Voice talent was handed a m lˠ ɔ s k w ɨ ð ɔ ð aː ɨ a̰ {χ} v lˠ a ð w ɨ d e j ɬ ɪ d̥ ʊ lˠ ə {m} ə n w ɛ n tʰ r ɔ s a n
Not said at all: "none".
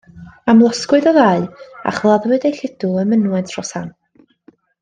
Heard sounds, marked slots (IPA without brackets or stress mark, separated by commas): χ, m